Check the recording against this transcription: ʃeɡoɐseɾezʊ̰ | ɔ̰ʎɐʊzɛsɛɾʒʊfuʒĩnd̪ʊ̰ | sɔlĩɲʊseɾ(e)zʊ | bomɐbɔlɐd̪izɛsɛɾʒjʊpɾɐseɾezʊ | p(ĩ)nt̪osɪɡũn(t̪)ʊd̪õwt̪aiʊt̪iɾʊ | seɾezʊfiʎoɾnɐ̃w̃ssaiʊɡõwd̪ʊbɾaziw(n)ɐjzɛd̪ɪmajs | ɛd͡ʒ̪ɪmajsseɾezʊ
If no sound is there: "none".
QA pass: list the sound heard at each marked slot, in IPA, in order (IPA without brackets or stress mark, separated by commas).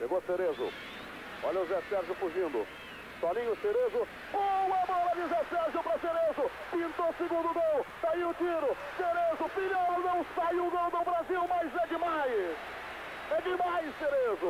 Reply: e, ĩ, d̪, m